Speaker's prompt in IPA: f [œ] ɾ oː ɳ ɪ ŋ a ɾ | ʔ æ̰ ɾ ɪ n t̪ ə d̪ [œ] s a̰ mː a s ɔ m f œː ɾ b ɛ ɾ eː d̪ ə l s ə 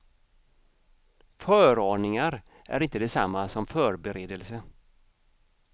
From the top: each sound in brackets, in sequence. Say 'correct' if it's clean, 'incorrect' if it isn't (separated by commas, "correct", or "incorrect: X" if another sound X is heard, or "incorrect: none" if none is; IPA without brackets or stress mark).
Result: incorrect: œː, incorrect: ɛ